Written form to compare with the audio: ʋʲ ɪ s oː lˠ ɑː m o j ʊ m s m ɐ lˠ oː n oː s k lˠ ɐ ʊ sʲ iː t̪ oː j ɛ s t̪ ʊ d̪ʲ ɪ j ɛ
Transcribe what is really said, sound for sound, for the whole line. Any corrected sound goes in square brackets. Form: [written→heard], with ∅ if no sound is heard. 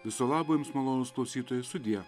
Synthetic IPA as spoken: ʋʲ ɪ s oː lˠ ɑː [m→b] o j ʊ m s m ɐ lˠ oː n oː s k lˠ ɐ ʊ sʲ iː t̪ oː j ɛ s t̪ ʊ d̪ʲ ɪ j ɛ